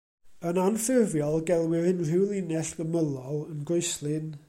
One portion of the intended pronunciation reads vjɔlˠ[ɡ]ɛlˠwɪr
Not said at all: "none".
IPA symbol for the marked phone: ɡ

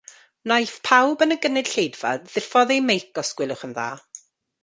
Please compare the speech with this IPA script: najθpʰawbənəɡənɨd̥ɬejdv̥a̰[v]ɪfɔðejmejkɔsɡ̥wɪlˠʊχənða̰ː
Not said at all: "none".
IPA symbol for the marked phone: ð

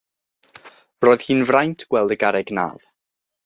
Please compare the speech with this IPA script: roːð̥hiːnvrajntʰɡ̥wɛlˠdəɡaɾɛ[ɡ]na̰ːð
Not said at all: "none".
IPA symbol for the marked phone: ɡ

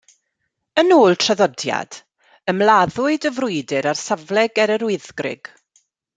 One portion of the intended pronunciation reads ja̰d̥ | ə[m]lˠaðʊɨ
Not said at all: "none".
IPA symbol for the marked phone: m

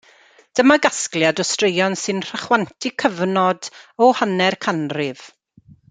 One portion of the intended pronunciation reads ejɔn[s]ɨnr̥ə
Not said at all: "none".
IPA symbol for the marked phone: s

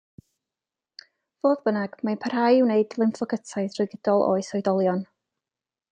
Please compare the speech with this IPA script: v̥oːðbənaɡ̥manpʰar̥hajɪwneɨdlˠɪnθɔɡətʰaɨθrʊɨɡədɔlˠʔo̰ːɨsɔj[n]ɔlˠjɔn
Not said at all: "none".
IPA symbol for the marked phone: d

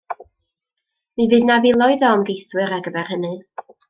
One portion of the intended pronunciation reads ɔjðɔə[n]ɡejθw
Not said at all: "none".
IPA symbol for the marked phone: m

